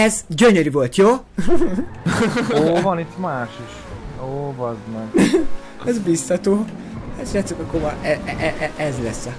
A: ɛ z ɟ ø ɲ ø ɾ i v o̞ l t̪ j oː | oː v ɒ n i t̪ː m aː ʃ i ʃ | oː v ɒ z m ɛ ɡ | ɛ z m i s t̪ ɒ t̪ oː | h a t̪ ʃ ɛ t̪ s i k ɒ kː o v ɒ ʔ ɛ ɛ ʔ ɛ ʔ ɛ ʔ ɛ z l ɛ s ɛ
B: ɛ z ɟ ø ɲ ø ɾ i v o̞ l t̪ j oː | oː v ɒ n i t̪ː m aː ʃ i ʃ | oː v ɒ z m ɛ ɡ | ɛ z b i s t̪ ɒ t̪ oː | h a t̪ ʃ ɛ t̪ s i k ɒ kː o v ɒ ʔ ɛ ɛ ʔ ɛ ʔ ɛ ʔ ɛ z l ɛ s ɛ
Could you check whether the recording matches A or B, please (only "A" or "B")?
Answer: B